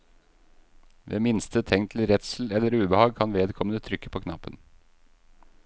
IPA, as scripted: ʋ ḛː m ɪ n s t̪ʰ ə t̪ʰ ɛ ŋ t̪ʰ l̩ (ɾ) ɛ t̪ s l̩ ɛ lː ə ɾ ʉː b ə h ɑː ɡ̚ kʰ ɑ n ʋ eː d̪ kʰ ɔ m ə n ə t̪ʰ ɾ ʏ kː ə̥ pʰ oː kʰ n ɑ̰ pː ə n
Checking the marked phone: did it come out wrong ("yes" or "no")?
no